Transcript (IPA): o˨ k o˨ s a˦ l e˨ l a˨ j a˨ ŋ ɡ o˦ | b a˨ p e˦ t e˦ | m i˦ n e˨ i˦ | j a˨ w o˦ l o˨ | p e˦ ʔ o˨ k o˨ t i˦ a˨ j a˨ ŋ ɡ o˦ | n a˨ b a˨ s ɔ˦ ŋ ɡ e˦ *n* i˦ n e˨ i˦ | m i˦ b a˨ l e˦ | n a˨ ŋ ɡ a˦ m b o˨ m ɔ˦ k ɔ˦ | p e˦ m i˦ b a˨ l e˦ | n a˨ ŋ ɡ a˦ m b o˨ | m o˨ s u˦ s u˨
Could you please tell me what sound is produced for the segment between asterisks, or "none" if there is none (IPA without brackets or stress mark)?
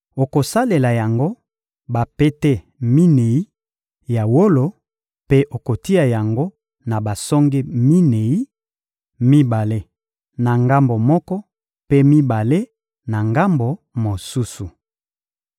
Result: m